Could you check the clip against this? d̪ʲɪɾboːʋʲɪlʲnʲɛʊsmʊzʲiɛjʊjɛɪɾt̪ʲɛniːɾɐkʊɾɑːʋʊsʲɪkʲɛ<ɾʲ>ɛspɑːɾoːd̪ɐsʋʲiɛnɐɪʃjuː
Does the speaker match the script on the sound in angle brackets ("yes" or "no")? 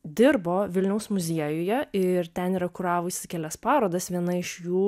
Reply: no